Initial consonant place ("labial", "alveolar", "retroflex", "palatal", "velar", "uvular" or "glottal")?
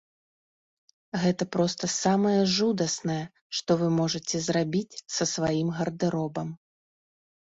velar